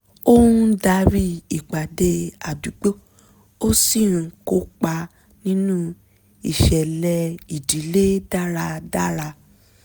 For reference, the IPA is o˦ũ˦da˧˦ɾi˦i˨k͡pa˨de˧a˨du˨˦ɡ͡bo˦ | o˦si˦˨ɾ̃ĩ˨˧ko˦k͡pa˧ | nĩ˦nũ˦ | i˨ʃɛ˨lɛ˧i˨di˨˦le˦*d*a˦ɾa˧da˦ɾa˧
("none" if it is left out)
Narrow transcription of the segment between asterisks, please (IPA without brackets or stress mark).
d